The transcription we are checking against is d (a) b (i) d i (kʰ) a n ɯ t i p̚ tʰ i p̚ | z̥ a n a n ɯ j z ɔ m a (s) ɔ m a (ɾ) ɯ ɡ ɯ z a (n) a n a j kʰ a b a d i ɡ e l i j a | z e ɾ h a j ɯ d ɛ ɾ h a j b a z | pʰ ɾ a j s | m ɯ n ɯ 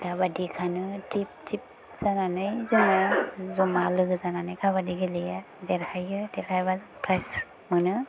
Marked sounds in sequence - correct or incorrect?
correct, incorrect: a, correct, incorrect: z, incorrect: l, correct

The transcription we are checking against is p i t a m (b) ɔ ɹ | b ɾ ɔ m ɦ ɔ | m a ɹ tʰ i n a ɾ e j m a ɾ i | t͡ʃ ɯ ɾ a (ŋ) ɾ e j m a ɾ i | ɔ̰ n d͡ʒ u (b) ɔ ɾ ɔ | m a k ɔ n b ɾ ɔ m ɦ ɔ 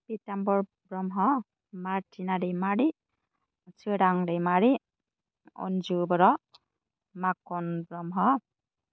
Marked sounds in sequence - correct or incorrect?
correct, correct, correct

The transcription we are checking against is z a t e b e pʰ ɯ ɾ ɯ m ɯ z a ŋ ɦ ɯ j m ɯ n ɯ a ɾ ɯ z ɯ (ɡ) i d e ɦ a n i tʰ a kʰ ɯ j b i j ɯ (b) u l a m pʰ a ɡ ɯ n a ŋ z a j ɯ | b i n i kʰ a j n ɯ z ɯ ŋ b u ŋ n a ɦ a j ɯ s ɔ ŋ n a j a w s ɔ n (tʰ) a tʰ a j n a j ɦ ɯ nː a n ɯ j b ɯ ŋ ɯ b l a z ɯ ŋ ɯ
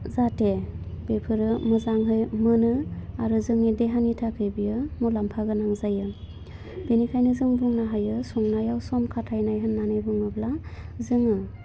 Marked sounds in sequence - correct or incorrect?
incorrect: ŋ, incorrect: m, incorrect: kʰ

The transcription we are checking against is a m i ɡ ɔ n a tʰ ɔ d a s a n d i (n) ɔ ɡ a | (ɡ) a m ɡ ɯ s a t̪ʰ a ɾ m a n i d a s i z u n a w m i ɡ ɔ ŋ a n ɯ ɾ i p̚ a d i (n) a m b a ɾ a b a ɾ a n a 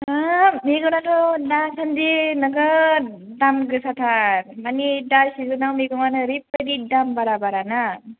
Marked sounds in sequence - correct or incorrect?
correct, incorrect: d, incorrect: d

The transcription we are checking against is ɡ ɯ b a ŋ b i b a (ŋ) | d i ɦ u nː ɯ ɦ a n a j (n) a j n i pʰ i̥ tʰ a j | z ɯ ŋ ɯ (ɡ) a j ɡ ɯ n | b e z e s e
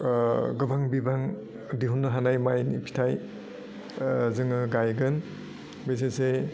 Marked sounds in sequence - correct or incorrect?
correct, incorrect: m, correct

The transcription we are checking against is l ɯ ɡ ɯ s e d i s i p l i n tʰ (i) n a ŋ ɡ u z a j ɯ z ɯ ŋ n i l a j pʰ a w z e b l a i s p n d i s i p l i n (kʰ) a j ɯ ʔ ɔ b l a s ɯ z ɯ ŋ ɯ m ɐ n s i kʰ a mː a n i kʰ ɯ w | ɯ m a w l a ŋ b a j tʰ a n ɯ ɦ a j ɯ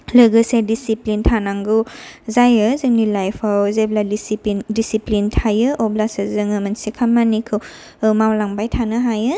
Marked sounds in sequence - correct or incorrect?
incorrect: a, incorrect: tʰ

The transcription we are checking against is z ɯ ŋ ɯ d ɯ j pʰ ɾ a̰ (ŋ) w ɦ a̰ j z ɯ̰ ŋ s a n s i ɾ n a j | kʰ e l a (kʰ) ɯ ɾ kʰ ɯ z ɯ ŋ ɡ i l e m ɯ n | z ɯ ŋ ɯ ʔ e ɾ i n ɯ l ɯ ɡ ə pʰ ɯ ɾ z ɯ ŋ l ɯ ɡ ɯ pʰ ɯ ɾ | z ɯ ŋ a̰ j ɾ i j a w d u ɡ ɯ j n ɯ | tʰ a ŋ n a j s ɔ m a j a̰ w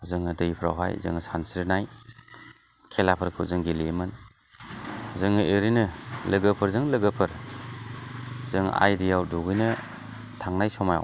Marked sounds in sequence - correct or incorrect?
incorrect: none, incorrect: pʰ

